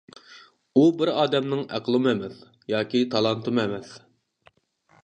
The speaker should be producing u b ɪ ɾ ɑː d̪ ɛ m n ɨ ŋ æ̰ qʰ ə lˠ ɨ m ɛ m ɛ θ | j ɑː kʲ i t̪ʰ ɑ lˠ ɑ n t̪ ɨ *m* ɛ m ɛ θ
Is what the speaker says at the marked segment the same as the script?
yes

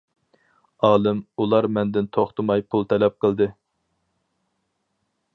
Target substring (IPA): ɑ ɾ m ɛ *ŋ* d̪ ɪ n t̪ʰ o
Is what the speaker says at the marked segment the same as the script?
no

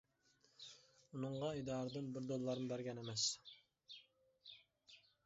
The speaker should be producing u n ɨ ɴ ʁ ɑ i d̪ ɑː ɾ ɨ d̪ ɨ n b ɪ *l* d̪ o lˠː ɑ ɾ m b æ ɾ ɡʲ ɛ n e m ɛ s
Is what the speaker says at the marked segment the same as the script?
no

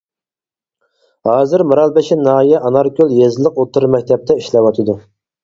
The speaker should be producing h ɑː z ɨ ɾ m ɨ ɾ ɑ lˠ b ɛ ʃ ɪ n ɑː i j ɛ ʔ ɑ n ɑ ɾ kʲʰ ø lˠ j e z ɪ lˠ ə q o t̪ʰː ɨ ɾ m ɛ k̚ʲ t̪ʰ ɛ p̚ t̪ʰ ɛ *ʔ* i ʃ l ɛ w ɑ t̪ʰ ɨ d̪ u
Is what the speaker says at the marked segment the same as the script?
no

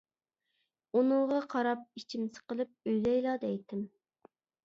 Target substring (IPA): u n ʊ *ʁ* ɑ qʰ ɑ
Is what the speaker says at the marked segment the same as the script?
yes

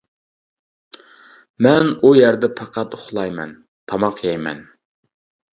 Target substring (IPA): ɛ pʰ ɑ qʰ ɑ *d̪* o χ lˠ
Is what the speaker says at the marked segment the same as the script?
no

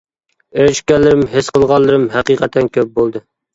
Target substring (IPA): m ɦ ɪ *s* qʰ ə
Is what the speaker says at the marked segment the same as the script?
yes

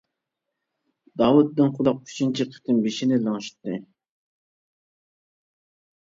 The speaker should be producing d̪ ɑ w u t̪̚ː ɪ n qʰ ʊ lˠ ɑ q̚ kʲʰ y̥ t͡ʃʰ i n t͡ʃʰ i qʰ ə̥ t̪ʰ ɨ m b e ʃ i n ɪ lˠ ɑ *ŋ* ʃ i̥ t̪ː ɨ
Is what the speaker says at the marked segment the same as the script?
yes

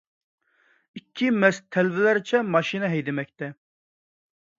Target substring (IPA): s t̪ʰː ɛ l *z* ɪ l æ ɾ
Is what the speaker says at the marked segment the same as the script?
no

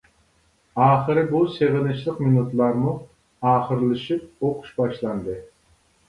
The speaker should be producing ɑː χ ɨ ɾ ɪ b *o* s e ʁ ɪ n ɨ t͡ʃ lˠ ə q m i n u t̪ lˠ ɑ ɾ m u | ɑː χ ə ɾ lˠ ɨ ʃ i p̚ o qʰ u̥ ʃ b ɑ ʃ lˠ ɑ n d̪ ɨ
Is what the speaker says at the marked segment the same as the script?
no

